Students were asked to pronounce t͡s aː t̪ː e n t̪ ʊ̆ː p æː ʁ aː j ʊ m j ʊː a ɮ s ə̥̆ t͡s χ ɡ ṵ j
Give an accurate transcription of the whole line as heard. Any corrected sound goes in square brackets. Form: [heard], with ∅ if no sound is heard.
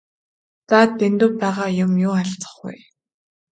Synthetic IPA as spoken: t͡s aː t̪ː e n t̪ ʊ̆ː p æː ʁ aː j ʊ m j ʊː a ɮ [t͡s] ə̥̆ [∅] χ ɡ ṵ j